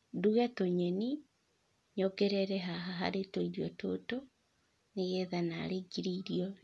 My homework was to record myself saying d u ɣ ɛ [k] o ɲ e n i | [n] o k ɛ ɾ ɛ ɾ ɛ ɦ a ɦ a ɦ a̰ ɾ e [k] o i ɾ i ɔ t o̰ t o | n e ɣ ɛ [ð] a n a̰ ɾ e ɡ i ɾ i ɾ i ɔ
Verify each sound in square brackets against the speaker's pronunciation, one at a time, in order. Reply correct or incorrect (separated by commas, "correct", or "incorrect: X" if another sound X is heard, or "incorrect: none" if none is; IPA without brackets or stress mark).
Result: incorrect: t, incorrect: ɲ, incorrect: t, correct